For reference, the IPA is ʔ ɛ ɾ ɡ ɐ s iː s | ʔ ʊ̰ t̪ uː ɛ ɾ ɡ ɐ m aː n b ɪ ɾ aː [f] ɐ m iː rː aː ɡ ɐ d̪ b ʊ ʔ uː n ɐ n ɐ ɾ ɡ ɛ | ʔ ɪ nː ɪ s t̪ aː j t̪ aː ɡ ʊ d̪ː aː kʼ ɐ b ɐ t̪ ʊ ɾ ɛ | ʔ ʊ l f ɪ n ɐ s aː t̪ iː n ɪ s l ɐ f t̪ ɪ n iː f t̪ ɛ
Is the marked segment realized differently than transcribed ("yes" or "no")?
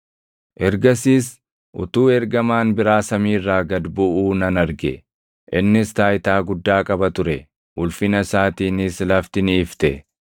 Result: yes